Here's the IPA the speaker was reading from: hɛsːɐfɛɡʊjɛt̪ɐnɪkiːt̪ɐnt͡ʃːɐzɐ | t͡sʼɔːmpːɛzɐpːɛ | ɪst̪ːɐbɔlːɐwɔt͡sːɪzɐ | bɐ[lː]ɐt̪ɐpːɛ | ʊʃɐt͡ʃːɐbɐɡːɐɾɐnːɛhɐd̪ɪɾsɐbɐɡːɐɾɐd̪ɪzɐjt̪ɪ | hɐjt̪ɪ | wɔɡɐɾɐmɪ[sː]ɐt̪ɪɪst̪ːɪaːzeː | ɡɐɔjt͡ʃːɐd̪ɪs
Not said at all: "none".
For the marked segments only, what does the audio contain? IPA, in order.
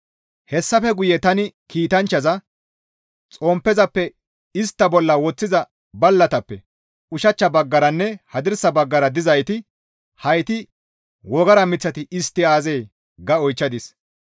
lː, t͡sː

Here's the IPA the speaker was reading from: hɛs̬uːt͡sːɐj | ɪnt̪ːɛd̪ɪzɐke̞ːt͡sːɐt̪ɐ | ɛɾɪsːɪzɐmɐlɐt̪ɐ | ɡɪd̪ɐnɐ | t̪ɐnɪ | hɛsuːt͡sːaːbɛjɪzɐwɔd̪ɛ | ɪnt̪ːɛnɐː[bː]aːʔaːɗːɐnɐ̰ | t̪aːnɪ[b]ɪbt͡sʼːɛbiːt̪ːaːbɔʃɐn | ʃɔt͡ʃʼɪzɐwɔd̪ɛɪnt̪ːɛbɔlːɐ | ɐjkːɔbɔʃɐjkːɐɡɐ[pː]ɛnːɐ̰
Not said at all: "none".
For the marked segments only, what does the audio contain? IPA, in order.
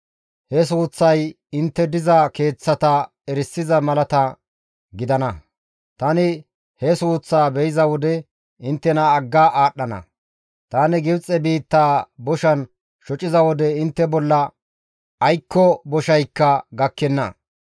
ɡː, ɡ, kː

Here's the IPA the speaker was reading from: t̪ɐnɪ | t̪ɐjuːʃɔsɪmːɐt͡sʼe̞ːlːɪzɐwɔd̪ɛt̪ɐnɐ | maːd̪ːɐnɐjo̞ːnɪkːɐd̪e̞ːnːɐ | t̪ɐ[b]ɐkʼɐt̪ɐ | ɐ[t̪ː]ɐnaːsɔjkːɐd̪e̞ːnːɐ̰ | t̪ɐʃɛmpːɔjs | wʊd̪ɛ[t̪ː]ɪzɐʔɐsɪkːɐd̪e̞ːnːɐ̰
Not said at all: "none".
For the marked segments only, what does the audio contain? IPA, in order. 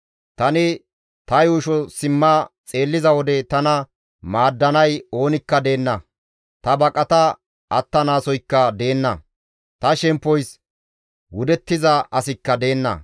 b, t̪ː, t̪ː

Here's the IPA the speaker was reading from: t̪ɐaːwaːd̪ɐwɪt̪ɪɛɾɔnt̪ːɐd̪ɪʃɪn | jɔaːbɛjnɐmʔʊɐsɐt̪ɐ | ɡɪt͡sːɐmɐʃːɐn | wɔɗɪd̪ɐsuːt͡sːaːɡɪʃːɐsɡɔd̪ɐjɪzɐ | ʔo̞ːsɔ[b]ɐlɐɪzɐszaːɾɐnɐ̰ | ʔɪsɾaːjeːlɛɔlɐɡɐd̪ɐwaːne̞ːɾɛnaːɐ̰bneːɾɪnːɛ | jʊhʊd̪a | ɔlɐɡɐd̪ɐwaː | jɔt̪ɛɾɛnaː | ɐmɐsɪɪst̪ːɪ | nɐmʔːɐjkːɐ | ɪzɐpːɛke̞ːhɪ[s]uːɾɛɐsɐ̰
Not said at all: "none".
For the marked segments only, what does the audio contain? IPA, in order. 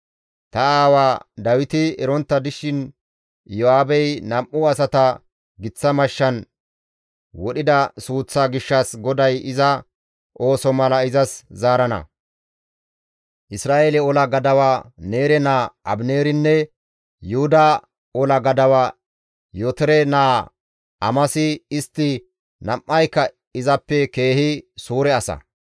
m, s

